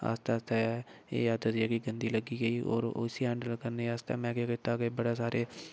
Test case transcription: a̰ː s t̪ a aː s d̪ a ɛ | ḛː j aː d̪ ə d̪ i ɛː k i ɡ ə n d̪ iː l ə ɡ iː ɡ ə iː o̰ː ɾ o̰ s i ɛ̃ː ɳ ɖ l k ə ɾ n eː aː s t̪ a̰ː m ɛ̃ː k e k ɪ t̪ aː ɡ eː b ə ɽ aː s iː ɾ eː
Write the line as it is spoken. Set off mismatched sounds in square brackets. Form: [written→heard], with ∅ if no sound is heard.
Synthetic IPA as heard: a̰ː s t̪ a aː s [d̪→t̪] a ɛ | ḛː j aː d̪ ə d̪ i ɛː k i ɡ ə n d̪ iː l ə ɡ iː ɡ ə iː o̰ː ɾ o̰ s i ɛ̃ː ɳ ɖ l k ə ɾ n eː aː s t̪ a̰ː m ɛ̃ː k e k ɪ t̪ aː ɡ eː b ə ɽ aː s [iː→aː] ɾ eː